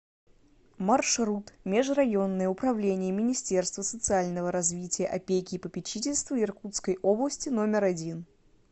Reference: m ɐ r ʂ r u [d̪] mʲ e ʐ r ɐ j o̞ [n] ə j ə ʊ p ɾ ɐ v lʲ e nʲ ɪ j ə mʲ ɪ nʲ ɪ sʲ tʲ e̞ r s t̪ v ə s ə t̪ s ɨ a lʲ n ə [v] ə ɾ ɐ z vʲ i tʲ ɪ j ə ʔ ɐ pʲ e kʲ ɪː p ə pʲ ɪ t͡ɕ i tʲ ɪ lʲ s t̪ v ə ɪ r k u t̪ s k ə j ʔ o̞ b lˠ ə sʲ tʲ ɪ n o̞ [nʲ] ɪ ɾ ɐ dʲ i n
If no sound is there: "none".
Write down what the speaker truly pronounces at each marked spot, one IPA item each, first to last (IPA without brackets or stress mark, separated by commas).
t̪, nː, v, mʲ